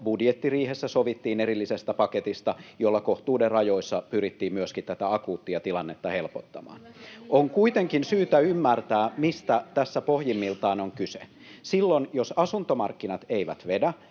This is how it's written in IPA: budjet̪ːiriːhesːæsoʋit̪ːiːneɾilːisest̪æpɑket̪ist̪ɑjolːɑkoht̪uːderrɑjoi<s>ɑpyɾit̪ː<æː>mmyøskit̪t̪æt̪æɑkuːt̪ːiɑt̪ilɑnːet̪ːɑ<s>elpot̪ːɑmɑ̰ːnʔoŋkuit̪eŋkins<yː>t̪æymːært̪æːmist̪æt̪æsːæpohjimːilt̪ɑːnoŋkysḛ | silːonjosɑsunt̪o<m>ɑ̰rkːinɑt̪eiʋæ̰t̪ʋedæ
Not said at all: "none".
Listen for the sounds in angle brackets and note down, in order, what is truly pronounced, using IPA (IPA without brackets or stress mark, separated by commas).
sː, iː, h, yː, m